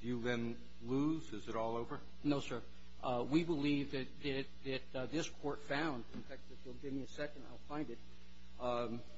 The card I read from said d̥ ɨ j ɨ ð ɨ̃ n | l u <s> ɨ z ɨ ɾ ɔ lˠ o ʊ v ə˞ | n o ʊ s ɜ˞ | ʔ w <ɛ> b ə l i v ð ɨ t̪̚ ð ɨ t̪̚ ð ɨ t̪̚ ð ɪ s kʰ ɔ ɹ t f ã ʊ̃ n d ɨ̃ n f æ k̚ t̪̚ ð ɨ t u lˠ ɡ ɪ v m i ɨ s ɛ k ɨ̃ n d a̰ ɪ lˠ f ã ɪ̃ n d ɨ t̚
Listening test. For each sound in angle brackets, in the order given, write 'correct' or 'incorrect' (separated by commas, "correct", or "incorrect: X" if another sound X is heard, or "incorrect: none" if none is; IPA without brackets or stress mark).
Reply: incorrect: z, incorrect: i